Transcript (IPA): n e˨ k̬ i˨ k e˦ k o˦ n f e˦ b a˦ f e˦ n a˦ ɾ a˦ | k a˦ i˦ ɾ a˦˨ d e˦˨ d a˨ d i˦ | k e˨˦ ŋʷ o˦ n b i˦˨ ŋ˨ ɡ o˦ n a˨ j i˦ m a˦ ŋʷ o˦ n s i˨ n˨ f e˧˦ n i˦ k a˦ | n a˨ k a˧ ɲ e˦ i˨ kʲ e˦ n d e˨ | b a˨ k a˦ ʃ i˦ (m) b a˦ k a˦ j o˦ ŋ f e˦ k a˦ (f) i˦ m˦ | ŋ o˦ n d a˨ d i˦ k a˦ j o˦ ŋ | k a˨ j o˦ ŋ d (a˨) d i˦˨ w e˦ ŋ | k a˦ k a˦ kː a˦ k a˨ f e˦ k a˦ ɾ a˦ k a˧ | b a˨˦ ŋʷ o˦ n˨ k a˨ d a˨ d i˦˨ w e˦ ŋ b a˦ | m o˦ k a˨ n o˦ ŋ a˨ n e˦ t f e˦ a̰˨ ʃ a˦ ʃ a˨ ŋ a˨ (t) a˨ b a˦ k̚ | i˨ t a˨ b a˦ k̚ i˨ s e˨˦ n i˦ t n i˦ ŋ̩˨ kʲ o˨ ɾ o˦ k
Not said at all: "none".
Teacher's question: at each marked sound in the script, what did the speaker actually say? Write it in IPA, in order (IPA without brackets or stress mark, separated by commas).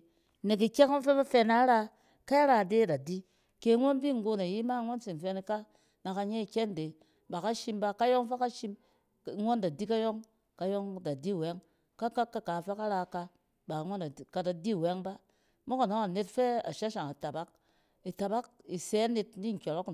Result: m, ʃ, a˨, t